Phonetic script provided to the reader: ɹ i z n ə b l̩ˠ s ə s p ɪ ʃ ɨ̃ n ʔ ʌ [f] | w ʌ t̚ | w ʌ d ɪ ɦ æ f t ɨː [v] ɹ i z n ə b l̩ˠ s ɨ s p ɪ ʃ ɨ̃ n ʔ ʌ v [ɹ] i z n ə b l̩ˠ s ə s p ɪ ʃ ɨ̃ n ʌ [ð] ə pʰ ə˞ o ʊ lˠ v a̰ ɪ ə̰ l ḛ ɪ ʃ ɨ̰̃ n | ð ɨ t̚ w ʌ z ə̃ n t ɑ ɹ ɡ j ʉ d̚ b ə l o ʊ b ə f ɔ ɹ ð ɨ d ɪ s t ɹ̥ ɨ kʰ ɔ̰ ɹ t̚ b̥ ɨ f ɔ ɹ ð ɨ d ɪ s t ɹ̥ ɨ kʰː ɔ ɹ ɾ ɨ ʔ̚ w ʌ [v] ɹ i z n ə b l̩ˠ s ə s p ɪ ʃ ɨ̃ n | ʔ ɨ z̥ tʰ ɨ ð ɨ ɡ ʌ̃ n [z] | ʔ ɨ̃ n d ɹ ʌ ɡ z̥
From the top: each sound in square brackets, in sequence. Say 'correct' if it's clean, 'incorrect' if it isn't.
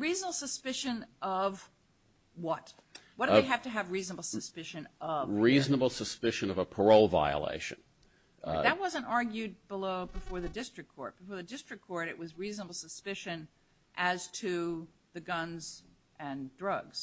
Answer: incorrect: v, correct, correct, incorrect: v, incorrect: z, correct

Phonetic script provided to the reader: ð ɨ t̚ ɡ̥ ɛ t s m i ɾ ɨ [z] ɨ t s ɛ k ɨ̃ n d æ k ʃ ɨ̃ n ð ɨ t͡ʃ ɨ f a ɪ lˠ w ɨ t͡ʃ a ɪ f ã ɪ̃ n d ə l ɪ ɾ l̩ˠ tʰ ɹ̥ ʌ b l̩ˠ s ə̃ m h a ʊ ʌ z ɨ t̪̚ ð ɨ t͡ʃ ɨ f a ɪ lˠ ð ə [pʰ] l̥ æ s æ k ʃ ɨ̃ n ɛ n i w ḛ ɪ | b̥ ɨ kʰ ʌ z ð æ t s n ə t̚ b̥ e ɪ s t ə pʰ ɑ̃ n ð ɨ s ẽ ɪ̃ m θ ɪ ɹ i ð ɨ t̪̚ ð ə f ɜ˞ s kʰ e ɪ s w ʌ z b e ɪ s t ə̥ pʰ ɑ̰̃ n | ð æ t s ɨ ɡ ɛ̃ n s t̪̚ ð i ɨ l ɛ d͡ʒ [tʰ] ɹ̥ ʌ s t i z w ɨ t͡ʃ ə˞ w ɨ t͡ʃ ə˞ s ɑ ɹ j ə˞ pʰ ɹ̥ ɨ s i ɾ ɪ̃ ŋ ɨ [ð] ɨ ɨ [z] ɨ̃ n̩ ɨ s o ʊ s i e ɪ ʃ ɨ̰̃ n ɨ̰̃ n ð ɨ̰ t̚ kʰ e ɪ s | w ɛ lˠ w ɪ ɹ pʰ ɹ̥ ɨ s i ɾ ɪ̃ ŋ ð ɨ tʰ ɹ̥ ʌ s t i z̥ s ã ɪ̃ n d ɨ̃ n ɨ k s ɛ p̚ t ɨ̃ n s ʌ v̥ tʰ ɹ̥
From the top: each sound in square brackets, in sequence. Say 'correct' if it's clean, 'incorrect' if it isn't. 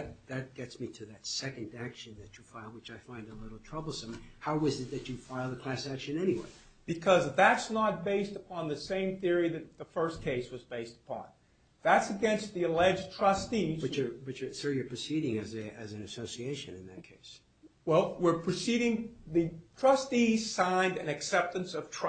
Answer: incorrect: ð, incorrect: kʰ, correct, incorrect: z, correct

